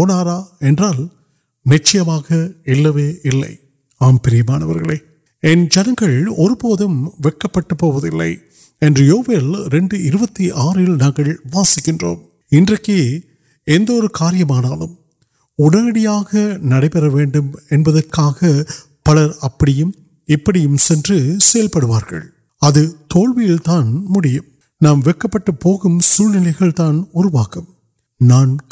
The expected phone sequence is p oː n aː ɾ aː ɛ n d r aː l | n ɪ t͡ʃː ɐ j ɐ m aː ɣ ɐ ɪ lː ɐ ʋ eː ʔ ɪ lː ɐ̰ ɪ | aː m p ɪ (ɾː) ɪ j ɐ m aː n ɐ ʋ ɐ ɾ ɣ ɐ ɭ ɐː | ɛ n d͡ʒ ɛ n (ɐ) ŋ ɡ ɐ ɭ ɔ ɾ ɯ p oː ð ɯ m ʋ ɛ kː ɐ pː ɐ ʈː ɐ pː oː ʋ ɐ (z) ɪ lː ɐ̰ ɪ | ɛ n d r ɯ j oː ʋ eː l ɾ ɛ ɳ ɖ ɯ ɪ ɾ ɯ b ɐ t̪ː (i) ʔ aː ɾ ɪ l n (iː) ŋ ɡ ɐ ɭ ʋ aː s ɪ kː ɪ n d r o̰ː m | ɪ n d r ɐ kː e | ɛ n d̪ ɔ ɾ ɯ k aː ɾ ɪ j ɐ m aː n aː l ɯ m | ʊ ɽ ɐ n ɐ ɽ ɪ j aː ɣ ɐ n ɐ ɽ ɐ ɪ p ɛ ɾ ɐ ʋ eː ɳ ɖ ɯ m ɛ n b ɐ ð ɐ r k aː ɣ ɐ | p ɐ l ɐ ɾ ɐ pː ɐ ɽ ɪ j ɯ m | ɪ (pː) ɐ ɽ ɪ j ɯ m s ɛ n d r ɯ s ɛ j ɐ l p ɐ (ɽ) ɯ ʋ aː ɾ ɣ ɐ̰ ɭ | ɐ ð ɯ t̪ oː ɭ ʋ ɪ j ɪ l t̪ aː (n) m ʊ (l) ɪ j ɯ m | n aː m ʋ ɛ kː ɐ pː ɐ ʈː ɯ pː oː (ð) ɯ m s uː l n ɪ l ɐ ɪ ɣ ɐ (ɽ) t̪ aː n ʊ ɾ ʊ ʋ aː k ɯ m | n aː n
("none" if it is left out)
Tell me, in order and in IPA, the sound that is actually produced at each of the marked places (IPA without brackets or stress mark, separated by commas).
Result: ɾ, ɐ, ð, i, aː, pː, ɽ, n, ɽ, ɣ, ɭ